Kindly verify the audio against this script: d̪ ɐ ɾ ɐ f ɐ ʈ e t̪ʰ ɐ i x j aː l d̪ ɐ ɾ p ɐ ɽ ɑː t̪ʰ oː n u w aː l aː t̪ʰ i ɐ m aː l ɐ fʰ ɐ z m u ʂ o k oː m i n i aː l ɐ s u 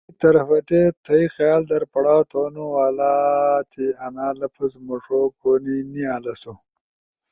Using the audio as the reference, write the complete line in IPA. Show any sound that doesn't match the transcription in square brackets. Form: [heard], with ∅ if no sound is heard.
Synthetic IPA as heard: [t̪] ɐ ɾ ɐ f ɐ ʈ e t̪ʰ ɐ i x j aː l d̪ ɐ ɾ p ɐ ɽ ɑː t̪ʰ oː n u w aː l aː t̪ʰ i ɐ [n] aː l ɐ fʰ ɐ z m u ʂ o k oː [n] i n i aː l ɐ s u

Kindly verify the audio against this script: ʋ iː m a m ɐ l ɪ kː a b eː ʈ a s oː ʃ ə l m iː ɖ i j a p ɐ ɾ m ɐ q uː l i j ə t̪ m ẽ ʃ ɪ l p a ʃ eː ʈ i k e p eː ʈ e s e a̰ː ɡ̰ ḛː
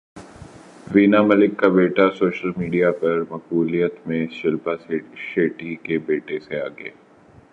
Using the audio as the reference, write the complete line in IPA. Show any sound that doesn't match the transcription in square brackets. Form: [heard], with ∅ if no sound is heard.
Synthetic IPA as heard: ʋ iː [n] a m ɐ l ɪ kː a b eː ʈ a s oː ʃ ə l m iː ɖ i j a p ɐ ɾ m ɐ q uː l i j ə t̪ m ẽ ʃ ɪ l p a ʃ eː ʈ i k e [b] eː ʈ e s e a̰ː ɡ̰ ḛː

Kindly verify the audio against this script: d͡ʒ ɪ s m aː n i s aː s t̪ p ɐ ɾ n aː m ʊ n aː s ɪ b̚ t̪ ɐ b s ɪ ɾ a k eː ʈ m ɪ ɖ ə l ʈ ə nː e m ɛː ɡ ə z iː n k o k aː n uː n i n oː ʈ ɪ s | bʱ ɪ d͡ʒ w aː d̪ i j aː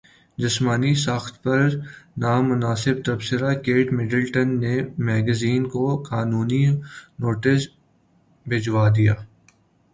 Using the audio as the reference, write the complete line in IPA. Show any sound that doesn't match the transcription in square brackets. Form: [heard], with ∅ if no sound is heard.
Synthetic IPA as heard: d͡ʒ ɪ s m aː n i s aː [x] t̪ p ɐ ɾ n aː m ʊ n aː s ɪ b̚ t̪ ɐ b s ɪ ɾ a k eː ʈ m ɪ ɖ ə l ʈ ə nː e m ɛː ɡ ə z iː n k o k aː n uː n i n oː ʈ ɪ s | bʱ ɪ d͡ʒ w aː d̪ i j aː

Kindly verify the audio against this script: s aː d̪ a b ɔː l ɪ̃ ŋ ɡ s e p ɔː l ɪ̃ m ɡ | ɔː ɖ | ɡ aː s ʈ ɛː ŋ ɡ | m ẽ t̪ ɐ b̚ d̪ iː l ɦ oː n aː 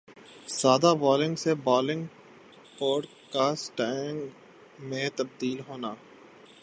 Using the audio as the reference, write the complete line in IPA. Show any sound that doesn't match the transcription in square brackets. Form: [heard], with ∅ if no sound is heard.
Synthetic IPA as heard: s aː d̪ a b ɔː l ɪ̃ ŋ ɡ s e [b] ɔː l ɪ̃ [ŋ] ɡ | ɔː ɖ | [k] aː s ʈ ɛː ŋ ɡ | m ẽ t̪ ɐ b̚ d̪ iː l ɦ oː n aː

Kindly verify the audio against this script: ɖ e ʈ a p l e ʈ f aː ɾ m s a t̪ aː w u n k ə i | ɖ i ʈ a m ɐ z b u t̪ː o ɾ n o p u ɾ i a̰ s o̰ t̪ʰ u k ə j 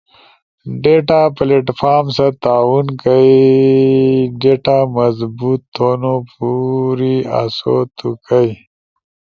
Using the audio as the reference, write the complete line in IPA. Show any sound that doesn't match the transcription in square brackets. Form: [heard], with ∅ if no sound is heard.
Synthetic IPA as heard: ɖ e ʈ a p l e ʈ f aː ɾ m s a t̪ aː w u n k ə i | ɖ [e] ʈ a m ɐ z b u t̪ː o [∅] n o p u ɾ i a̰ s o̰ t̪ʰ u k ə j

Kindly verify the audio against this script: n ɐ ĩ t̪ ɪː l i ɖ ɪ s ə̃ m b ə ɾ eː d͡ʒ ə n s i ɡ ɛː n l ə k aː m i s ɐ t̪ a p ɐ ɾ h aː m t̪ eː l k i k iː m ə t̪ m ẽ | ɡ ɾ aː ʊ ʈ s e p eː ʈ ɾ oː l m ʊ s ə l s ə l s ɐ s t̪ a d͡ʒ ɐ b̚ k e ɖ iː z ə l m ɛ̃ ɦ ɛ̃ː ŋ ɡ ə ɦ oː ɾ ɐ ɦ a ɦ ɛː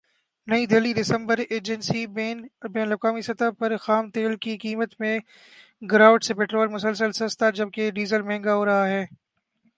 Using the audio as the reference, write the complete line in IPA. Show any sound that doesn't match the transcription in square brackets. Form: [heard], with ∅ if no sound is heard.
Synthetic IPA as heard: n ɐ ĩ [d̪] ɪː l i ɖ ɪ s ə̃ m b ə ɾ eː d͡ʒ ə n s i [b] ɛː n l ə k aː m i s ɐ t̪ a p ɐ ɾ [x] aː m t̪ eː l k i k iː m ə t̪ m ẽ | ɡ ɾ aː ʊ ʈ s e p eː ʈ ɾ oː l m ʊ s ə l s ə l s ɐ s t̪ a d͡ʒ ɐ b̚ k e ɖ iː z ə l m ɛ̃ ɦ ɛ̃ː ŋ ɡ [a] ɦ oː ɾ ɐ ɦ a ɦ ɛː

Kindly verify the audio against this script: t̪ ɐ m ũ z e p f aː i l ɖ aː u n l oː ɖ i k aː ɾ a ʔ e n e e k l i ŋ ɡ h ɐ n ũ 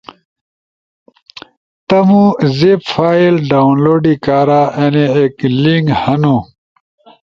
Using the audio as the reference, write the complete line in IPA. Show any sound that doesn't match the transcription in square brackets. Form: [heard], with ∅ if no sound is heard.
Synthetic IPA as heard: t̪ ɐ m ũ z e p f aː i l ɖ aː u n l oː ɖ i k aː ɾ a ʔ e n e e k l i ŋ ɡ h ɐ n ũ

